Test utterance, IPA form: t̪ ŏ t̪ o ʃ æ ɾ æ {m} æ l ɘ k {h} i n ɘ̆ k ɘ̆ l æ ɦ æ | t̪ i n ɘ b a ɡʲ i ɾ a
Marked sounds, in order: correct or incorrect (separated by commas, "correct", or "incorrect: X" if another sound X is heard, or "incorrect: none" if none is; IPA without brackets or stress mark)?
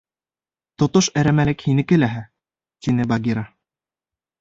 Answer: correct, correct